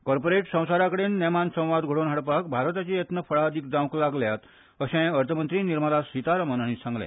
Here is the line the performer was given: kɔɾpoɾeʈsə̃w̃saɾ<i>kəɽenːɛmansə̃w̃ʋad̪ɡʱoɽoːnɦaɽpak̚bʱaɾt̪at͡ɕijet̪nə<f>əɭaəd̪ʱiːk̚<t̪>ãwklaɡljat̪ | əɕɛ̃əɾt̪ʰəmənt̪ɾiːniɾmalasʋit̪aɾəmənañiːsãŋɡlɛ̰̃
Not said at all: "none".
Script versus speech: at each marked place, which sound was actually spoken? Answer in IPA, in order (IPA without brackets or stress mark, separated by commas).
a, f, d̪